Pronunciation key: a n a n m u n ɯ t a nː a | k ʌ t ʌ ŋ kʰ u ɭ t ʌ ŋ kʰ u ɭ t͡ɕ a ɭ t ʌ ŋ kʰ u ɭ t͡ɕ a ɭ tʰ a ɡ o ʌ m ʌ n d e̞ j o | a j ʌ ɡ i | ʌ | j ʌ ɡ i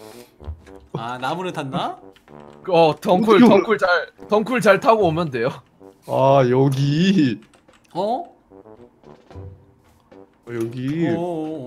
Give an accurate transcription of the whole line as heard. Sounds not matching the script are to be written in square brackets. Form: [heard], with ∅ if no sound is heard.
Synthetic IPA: a n a [∅] m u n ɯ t a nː a | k ʌ t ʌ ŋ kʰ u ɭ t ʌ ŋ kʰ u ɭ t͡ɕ a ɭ t ʌ ŋ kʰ u ɭ t͡ɕ a ɭ tʰ a ɡ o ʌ m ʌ n d e̞ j o | a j ʌ ɡ i | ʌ | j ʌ ɡ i